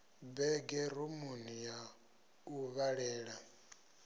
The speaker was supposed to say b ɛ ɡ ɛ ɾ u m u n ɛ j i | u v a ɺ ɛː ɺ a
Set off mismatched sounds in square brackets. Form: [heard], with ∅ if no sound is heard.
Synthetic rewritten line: b ɛ ɡ ɛ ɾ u m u n [i] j [a] | u [β] a ɺ ɛː ɺ a